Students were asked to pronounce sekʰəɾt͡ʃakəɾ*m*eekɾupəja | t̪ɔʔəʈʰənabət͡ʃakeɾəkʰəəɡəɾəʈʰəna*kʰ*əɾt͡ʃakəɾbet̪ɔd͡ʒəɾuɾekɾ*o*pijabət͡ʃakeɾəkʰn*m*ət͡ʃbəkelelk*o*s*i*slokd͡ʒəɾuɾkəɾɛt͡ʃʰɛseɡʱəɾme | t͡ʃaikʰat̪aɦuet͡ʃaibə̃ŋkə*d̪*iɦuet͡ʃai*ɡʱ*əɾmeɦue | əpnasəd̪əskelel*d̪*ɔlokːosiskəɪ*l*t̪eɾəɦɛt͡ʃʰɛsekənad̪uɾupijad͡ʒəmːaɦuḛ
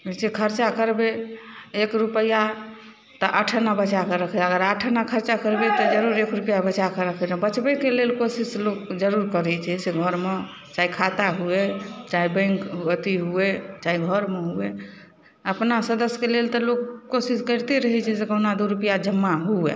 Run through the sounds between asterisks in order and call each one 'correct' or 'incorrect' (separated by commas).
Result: incorrect, correct, incorrect, incorrect, correct, correct, incorrect, correct, incorrect, incorrect